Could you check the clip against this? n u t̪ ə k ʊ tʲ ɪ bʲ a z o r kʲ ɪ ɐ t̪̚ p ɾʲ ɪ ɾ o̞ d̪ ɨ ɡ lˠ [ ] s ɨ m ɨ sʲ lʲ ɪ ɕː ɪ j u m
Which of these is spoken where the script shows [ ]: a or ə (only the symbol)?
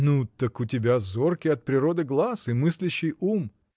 a